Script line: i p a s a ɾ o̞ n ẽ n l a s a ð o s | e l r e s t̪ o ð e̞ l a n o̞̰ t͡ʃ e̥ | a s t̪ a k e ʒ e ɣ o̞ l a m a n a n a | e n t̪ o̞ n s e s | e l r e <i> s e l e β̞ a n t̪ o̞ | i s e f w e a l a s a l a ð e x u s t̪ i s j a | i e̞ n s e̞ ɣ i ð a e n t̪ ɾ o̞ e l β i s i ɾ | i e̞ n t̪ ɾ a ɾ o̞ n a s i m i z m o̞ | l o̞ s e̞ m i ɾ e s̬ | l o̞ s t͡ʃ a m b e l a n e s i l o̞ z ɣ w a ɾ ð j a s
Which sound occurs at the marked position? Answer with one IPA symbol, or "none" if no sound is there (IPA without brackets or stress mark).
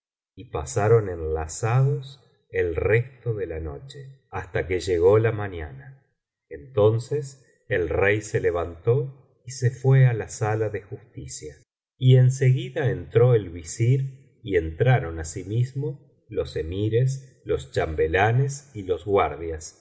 j